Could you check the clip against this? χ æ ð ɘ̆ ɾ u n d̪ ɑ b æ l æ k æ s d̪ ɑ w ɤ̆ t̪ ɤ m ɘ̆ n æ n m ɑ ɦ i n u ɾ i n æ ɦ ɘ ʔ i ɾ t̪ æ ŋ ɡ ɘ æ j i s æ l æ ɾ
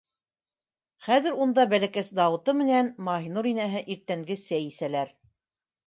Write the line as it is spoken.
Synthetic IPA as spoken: χ æ ð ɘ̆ ɾ u n d̪ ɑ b æ l æ k æ s d̪ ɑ w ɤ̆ t̪ ɤ m ɘ̆ n æ n m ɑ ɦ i n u ɾ i n æ ɦ ɘ ʔ i ɾ t̪ æ ŋ ɡ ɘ æ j i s æ l æ ɾ